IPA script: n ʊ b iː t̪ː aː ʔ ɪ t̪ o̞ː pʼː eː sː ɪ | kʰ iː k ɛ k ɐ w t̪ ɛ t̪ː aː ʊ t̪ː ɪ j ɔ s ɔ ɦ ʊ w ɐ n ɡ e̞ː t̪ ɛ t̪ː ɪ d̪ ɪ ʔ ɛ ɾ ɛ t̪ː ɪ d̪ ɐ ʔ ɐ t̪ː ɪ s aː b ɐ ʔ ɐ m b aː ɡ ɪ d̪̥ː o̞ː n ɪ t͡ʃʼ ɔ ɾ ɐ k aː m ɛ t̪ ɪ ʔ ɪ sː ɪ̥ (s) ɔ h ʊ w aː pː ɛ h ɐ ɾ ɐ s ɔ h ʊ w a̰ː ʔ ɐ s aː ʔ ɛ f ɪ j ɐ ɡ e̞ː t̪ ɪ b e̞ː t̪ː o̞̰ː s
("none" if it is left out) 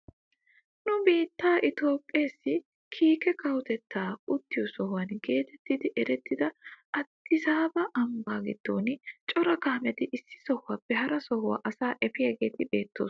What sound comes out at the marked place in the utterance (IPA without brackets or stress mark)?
s